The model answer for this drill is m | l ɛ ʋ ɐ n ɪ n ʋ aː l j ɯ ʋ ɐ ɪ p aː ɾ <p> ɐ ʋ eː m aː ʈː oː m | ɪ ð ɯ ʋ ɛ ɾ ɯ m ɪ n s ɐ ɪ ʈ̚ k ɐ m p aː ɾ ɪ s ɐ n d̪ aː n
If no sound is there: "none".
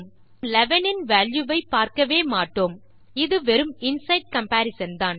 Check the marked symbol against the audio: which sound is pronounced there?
k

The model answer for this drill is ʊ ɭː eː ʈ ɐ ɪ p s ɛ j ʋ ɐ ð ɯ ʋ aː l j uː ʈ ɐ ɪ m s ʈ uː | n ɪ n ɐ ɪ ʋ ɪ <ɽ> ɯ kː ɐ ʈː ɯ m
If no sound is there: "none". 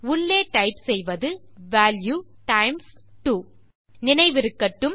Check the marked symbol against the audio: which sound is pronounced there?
ɾ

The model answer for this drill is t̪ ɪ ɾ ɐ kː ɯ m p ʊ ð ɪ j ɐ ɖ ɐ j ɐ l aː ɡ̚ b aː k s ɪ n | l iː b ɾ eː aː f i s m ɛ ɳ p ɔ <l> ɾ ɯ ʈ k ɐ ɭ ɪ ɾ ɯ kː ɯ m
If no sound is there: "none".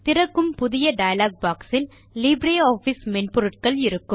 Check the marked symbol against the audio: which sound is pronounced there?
none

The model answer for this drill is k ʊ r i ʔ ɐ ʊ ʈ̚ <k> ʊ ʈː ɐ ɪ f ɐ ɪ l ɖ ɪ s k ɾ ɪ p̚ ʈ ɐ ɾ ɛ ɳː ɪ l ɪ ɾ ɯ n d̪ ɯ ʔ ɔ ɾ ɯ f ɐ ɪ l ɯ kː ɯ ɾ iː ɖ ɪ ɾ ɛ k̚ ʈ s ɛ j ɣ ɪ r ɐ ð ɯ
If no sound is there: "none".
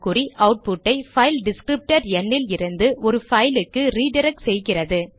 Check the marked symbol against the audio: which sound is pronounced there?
p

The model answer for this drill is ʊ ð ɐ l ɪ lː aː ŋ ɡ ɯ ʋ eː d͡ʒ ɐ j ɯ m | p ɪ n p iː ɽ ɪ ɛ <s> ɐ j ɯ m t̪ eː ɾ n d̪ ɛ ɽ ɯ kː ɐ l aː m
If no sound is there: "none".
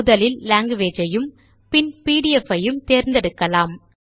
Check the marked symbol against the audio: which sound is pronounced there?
f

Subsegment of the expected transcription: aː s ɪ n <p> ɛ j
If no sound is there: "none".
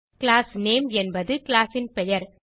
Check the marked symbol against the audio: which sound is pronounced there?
p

